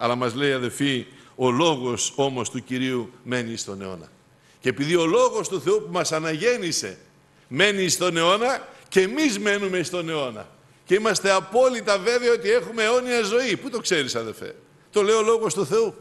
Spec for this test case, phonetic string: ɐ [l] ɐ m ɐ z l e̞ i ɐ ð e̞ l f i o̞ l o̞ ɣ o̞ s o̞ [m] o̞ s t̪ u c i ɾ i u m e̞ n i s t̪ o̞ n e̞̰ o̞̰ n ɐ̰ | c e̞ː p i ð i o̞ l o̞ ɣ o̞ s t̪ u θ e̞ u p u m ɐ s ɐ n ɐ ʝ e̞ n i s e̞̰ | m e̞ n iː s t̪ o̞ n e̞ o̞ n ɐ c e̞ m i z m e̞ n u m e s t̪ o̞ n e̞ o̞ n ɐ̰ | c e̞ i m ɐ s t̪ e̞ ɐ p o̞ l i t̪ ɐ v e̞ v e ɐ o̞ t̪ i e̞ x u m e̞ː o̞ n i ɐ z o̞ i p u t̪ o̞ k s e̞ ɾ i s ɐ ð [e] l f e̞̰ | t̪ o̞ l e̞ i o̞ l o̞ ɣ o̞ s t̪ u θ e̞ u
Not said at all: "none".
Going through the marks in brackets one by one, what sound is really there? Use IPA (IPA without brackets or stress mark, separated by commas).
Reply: l, m, e